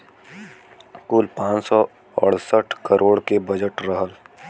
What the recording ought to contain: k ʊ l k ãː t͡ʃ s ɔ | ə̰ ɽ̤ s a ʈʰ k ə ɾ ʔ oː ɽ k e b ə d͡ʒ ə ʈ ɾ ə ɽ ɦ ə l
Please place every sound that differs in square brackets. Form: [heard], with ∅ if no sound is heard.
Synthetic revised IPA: k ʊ l [p] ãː t͡ʃ s ɔ | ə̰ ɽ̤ s [ə] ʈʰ k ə ɾ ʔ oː ɽ k e b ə d͡ʒ ə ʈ ɾ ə [∅] ɦ ə l